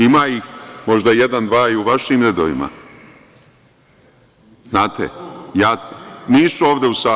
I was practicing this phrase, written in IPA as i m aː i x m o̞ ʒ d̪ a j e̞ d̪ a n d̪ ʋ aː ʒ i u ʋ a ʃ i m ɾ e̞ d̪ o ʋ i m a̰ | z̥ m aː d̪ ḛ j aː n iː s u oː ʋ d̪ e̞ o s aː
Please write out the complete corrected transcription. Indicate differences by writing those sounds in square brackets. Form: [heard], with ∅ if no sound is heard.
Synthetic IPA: i m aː i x m o̞ ʒ d̪ a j e̞ d̪ a n d̪ ʋ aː [∅] i u ʋ a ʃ i m ɾ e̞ d̪ o ʋ i m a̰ | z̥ [n] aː [t̪] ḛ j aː n iː s u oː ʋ d̪ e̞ [u] s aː

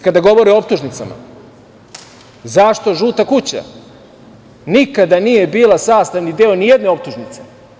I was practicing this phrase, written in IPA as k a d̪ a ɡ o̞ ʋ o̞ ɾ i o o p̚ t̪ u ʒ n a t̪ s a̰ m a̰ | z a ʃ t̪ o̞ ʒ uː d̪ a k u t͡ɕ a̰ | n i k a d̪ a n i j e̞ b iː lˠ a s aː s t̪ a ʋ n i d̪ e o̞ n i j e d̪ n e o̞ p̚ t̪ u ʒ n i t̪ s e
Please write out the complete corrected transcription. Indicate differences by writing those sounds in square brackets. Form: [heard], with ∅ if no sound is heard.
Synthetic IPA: k a d̪ a ɡ o̞ ʋ o̞ ɾ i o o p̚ t̪ u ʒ n [i] t̪ s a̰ m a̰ | z a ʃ t̪ o̞ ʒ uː [t̪] a k u t͡ɕ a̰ | n i k a d̪ a n i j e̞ b iː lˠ a s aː s t̪ a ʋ n i d̪ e o̞ n i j e d̪ n e o̞ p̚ t̪ u ʒ n i t̪ s e

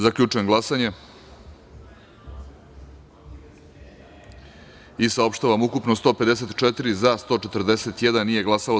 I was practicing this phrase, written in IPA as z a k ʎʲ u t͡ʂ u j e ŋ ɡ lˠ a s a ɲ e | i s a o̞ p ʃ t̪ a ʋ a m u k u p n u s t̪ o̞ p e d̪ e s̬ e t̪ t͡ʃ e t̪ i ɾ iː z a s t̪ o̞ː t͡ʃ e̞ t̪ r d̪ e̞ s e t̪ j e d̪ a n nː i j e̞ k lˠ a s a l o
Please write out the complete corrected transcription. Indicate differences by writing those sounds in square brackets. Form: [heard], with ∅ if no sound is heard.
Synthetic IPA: z a k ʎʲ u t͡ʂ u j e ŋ ɡ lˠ a s a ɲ e | i s a o̞ p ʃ t̪ a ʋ a m u k u p n [o] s t̪ o̞ p e d̪ e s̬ e t̪ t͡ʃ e t̪ i ɾ [i] z a s t̪ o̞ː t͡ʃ e̞ t̪ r d̪ e̞ s e t̪ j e d̪ a n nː i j e̞ [ɡ] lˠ a s a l o

